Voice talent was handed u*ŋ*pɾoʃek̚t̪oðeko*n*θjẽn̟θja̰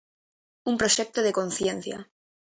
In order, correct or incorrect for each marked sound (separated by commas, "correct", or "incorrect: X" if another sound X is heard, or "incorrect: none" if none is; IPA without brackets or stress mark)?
incorrect: m, correct